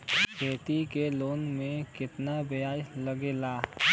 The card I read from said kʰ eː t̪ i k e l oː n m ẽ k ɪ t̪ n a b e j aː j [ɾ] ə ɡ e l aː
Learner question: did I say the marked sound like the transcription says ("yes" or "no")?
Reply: no